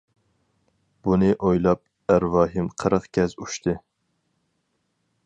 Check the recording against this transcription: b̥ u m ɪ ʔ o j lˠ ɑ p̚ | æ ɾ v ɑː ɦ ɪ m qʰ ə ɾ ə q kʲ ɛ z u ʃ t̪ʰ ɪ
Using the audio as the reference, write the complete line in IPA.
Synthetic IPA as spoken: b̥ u n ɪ ʔ o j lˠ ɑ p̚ | æ ɾ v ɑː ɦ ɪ m qʰ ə ɾ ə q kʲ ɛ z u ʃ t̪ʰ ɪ